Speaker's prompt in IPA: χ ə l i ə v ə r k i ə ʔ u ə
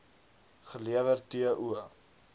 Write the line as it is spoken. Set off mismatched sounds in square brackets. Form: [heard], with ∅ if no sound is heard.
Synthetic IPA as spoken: χ ə l i ə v ə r [t] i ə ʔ u ə